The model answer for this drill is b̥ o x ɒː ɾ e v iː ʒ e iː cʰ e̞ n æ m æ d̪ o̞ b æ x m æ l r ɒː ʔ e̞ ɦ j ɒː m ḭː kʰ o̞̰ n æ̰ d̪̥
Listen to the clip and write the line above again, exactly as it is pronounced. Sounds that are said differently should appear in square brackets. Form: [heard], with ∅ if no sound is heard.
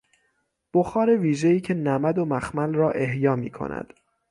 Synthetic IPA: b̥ o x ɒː ɾ e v iː ʒ e iː cʰ e̞ n æ m æ d̪ o̞ [m] æ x m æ l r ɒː ʔ e̞ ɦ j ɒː m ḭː kʰ o̞̰ n æ̰ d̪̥